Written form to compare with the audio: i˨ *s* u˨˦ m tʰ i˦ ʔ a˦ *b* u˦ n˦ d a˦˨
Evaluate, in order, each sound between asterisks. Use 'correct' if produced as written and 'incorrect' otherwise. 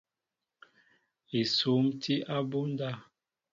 correct, correct

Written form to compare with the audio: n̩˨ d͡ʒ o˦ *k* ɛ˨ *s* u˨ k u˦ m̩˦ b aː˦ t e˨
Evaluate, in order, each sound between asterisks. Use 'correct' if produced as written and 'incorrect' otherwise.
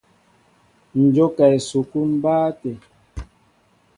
correct, correct

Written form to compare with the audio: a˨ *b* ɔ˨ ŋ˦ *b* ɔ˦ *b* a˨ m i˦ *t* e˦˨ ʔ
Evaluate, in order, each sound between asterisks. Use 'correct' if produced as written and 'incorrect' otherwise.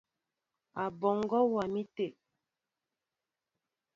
correct, incorrect: ɡ, incorrect: w, correct

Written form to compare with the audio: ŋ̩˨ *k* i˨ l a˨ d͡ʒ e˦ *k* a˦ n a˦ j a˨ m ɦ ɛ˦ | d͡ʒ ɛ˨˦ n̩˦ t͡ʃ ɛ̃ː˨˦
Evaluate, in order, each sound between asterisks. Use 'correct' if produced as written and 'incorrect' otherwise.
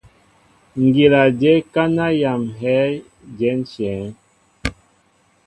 incorrect: ɡ, correct

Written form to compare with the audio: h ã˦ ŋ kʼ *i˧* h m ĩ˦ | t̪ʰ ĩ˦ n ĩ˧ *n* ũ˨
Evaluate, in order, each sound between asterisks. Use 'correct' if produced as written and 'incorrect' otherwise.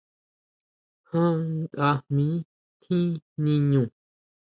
incorrect: a˧, incorrect: ɲ

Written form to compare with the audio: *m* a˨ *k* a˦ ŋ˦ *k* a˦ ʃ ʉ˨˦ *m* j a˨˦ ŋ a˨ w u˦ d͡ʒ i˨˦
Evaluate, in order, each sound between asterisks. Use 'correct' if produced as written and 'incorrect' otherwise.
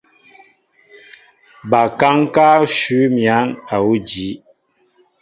incorrect: b, correct, correct, correct

